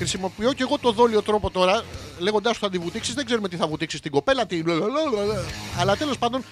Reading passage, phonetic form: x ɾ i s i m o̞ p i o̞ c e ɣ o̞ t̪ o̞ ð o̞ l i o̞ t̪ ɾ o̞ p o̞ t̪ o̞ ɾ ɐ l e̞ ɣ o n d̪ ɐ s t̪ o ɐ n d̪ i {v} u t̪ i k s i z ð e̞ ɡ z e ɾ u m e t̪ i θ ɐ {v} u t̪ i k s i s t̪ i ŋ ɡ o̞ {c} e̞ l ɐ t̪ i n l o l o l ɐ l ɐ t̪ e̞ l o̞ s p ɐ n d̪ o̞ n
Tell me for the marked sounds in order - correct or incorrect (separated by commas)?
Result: correct, correct, incorrect